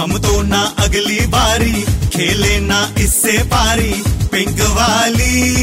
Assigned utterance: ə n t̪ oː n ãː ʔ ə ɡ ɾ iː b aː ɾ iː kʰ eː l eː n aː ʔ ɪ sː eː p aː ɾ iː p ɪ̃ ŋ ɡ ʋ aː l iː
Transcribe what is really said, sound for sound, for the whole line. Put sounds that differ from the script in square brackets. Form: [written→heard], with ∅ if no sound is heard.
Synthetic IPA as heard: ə [n→m] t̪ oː n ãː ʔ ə ɡ [ɾ→l] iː b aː ɾ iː kʰ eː l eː n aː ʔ ɪ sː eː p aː ɾ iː p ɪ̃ ŋ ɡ ʋ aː l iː